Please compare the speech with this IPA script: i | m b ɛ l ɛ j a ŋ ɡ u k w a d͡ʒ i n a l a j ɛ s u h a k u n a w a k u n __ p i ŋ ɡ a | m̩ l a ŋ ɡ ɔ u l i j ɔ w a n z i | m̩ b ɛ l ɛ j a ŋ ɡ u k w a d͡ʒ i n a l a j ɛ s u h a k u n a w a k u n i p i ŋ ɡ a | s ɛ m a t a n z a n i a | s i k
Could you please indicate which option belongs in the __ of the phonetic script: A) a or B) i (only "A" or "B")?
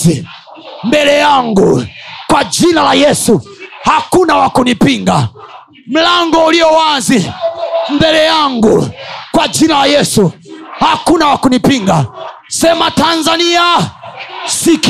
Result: B